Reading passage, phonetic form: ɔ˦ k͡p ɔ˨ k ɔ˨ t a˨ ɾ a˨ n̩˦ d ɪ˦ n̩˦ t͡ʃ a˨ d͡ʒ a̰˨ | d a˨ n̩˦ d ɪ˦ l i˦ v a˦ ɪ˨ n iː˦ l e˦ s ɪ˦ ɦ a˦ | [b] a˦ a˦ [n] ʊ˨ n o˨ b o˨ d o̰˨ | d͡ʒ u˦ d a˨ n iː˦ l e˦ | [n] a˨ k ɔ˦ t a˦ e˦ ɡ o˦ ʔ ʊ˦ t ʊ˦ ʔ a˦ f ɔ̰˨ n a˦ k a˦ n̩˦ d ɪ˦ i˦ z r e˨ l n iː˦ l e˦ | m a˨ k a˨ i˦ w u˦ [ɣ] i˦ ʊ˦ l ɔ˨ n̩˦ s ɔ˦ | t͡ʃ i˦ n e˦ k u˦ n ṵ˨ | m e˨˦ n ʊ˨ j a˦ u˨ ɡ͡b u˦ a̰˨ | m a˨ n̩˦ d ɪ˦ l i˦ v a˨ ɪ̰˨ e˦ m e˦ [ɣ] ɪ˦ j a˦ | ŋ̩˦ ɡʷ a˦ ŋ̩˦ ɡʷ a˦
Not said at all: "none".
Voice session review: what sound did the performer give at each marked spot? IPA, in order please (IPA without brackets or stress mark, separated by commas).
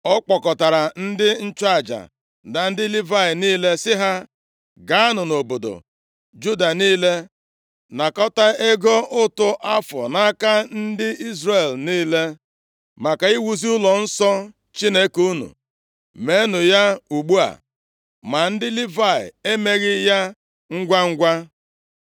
ɡ, n, n, z, ɣ